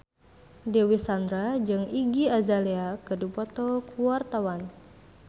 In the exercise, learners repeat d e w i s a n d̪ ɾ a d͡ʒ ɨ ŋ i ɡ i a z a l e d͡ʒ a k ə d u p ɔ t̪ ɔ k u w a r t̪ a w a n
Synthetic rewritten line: d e w i s a n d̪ ɾ a d͡ʒ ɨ ŋ i ɡ i a z a l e a k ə d u p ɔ t̪ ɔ k u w a r t̪ a w a n